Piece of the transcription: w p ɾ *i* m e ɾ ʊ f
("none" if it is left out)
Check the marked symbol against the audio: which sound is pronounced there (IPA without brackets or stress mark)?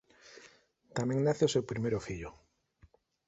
i